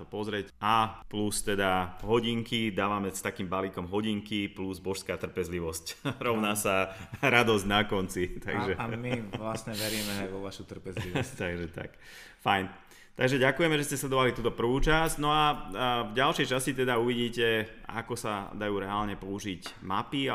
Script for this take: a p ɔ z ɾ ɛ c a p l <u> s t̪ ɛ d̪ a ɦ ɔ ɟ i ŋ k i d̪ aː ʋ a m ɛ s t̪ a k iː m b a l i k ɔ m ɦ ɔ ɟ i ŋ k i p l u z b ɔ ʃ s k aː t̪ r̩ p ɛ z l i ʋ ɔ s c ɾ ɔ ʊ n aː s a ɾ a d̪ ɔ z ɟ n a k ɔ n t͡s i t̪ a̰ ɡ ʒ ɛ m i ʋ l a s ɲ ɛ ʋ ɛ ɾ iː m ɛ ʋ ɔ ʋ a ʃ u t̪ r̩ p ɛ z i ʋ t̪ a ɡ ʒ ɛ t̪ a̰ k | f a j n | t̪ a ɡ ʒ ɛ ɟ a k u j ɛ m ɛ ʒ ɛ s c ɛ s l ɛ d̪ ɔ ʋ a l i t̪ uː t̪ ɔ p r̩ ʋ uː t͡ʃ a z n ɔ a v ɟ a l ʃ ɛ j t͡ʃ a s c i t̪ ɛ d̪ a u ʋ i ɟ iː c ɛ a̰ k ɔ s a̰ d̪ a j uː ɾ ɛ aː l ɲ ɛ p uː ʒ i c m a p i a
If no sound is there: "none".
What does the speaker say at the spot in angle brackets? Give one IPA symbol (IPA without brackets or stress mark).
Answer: u